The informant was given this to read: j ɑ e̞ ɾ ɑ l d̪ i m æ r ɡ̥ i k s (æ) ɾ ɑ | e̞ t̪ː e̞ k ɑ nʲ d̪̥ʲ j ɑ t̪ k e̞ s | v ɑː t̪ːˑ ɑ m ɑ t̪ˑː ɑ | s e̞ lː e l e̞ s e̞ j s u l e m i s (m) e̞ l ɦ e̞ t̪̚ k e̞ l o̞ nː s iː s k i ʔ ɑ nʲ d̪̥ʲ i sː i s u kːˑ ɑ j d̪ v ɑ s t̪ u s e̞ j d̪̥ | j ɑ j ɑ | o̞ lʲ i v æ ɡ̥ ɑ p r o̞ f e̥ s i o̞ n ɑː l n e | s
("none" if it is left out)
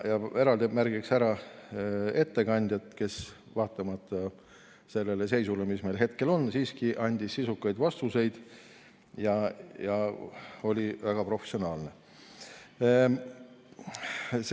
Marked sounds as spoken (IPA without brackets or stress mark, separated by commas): æ, m